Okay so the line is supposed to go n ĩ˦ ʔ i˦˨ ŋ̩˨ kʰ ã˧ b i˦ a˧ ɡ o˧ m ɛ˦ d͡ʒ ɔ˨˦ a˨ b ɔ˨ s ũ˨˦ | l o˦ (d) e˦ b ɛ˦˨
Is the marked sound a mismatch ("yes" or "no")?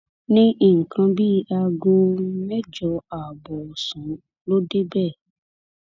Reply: no